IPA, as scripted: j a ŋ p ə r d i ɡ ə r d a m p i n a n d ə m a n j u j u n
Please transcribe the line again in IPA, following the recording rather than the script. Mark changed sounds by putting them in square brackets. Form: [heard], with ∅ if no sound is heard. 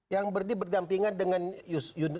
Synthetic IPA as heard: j a ŋ [b] ə r d i [b] ə r d a m p i [ŋ] a n d ə [ŋ] a n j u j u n